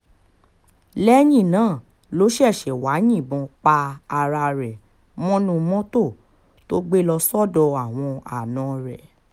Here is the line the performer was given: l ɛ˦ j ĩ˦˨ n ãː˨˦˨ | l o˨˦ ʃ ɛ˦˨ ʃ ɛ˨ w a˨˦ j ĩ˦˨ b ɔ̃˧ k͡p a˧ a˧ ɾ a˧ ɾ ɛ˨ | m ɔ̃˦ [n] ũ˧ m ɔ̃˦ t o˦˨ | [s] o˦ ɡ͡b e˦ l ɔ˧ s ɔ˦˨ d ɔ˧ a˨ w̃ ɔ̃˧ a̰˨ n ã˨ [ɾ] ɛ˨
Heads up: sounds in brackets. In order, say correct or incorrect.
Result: correct, incorrect: t, correct

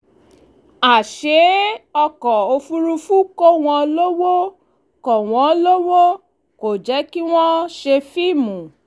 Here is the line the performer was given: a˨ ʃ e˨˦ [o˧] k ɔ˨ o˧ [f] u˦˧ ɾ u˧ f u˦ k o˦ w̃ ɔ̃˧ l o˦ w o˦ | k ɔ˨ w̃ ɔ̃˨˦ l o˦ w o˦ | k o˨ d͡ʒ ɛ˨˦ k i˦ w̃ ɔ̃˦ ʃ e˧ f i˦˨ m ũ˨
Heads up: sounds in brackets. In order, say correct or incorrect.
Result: incorrect: ɔ˧, correct

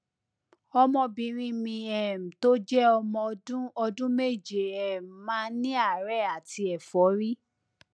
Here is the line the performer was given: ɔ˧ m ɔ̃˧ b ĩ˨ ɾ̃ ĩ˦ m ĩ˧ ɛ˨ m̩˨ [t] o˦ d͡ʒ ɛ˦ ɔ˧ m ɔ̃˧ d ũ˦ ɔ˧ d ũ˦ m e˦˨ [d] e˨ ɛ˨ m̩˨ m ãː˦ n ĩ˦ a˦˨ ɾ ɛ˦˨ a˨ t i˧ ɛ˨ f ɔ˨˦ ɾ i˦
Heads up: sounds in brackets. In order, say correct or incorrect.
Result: correct, incorrect: d͡ʒ

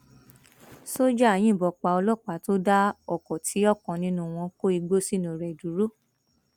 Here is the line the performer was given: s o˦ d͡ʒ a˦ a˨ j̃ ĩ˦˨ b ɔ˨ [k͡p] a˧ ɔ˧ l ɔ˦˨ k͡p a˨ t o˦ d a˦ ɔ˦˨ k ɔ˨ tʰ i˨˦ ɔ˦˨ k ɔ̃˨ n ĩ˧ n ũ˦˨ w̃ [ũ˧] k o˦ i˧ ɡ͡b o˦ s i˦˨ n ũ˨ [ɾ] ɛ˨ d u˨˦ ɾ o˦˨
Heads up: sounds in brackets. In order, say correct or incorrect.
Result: correct, incorrect: ɔ̃˧, correct

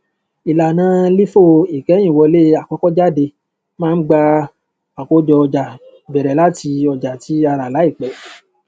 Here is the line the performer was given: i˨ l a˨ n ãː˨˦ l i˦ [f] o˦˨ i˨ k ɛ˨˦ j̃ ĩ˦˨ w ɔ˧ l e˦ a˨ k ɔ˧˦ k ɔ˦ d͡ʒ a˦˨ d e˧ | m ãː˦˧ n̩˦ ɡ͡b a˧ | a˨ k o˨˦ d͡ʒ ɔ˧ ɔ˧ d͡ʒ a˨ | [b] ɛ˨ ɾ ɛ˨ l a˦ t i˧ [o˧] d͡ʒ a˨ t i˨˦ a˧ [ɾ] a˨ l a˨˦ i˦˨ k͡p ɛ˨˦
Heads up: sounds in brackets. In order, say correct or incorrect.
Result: correct, correct, incorrect: ɔ˧, correct

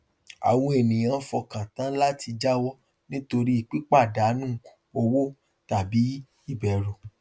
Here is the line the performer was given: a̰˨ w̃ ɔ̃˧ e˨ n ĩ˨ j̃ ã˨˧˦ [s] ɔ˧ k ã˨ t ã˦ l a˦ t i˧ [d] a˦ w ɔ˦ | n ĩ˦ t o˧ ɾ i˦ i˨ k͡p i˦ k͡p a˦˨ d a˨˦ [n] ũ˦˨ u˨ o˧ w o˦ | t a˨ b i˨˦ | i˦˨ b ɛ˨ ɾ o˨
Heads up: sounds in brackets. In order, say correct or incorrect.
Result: incorrect: f, incorrect: d͡ʒ, correct

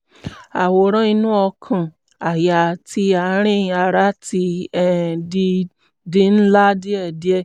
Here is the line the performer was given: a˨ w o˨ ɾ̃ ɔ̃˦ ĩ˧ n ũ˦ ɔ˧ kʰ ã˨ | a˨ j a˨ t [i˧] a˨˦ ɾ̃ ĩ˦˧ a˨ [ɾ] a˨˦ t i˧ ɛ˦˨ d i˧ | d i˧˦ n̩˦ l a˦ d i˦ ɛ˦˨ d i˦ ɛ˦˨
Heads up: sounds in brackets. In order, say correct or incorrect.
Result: correct, correct

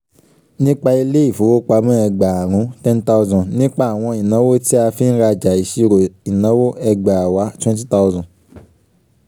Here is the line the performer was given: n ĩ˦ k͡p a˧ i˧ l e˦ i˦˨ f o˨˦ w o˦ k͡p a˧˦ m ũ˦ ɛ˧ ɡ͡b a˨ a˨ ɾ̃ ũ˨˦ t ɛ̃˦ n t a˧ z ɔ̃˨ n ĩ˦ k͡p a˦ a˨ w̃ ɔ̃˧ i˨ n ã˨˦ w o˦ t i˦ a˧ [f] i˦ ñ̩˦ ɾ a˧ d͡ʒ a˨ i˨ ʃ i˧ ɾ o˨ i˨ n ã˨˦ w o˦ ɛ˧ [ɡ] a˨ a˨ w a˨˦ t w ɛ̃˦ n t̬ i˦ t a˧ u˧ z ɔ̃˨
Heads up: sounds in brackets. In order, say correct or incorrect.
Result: correct, incorrect: ɡ͡b

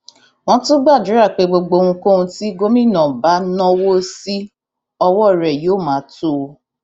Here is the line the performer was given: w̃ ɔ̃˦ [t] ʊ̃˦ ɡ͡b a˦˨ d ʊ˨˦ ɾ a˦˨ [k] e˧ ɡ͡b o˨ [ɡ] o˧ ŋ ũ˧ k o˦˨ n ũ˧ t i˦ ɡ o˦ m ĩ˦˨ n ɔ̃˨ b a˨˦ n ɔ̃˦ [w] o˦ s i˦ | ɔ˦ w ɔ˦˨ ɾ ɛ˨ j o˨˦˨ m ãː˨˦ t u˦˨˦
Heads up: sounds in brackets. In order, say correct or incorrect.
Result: correct, incorrect: k͡p, incorrect: ɡ͡b, correct

